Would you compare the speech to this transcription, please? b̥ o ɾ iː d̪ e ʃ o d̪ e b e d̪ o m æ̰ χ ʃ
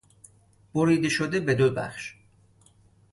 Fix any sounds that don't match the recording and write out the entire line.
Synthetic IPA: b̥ o ɾ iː d̪ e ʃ o d̪ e b e d̪ o b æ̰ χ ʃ